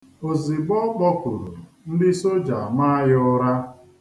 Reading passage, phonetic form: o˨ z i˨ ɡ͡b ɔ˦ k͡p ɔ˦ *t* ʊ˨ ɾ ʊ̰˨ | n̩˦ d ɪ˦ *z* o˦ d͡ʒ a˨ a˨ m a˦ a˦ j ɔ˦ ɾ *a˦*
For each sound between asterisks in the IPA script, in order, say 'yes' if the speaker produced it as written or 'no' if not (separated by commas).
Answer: no, no, yes